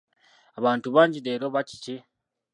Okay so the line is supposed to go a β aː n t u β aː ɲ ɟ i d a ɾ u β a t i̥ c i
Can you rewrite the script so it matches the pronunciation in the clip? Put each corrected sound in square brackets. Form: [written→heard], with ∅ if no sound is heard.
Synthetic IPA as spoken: a β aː n t u β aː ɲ ɟ i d [a→e] ɾ [u→o] β a [t→c] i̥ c i